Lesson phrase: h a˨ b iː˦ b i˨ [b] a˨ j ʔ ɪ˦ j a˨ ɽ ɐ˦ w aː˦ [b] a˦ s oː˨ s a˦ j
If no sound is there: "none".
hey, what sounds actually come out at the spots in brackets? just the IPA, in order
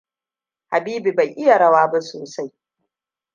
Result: b, b

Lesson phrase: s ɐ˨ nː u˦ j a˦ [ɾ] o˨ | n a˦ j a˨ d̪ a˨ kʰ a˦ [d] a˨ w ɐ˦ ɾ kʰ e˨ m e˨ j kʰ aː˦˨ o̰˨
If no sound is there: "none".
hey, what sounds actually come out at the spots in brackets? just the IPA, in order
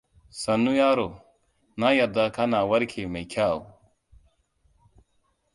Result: ɾ, n

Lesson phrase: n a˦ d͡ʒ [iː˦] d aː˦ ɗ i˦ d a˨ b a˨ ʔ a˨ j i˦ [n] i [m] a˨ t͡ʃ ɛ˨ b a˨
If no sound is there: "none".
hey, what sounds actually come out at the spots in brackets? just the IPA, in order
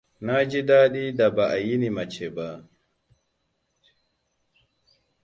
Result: i˦, n, m

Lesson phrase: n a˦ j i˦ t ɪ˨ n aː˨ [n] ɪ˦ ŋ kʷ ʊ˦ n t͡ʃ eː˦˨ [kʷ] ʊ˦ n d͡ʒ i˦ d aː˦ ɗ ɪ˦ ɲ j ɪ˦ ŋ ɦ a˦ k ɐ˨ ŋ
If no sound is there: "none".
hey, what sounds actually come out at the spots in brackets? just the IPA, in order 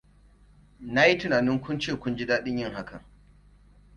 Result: n, kʷ

